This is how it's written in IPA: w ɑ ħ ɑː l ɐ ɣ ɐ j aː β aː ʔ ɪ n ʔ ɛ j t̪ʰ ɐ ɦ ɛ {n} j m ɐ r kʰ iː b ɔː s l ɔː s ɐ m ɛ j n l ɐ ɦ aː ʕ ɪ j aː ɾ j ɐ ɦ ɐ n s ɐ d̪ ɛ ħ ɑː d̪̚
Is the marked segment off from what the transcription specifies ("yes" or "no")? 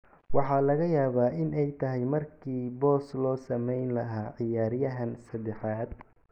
yes